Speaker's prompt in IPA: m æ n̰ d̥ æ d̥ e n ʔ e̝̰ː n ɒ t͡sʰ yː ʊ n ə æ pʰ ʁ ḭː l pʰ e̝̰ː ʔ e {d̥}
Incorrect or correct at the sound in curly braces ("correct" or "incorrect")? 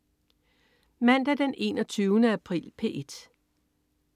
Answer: correct